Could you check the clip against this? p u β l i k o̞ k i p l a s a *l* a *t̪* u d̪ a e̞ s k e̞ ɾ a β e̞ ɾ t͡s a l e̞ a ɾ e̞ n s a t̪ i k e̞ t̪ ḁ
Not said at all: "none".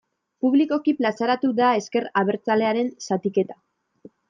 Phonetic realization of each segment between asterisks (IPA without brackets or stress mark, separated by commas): ɾ, t̪